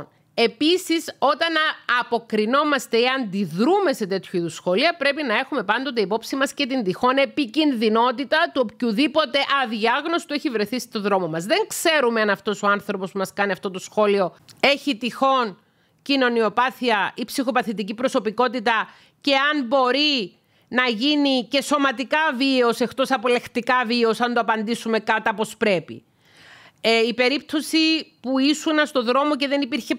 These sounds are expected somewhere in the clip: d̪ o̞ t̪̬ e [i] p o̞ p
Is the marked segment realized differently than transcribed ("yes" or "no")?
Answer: no